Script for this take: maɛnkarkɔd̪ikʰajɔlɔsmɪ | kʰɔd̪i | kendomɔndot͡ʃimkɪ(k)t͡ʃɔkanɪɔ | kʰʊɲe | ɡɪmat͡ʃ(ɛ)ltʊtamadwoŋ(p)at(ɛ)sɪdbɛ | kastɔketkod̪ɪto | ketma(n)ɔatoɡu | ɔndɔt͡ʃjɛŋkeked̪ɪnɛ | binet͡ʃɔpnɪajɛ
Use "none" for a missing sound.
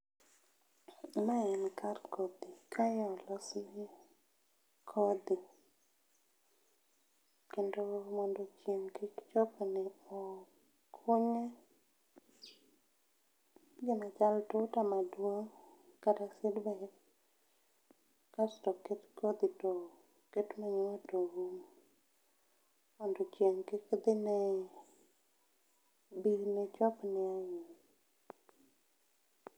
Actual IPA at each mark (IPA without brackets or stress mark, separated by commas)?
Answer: k, a, k, a, ɲ